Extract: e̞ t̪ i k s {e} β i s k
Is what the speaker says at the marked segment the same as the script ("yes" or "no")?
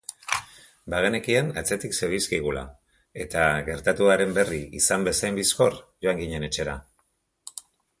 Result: yes